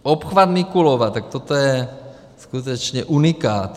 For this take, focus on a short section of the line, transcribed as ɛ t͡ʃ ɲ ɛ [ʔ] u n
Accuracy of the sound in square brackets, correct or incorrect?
correct